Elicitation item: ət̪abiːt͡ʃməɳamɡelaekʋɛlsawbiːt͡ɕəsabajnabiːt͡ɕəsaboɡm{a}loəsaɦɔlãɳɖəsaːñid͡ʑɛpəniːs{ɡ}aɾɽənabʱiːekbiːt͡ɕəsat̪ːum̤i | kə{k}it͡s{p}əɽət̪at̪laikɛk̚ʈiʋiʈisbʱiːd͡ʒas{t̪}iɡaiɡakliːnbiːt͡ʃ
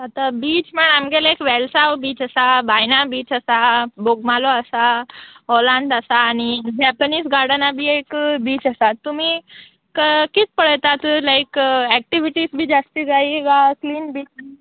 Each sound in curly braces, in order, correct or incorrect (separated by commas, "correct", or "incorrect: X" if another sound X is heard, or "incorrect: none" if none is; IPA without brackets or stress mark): correct, correct, correct, correct, correct